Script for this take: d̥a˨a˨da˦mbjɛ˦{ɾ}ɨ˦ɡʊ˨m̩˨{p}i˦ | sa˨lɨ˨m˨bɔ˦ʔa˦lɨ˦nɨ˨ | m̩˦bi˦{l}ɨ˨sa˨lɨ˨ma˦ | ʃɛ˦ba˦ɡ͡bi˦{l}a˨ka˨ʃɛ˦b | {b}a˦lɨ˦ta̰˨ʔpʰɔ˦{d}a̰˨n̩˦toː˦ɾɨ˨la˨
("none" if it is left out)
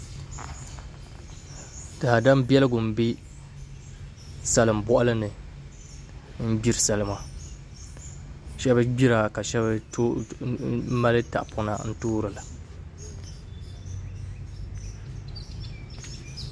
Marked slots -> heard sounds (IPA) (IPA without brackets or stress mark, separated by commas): l, b, ɾ, ɾ, m, n